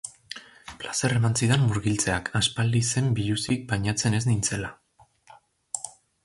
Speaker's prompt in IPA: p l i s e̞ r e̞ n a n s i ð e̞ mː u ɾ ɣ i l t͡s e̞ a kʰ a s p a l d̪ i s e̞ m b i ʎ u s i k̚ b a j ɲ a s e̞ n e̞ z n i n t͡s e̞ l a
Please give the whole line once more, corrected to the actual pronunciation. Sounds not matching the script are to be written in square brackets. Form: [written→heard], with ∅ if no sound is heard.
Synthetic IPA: p l [i→a] s e̞ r e̞ [n→m] a n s i ð e̞ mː u ɾ ɣ i l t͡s e̞ a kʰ a s p a l d̪ i s e̞ m b i ʎ u s i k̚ b a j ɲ a [s→t͡s] e̞ n e̞ z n i n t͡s e̞ l a